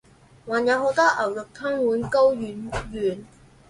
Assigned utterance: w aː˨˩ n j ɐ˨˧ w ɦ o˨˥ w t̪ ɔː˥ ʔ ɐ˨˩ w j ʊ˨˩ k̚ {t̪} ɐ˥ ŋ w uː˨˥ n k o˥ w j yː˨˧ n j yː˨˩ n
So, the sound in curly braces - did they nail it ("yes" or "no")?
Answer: no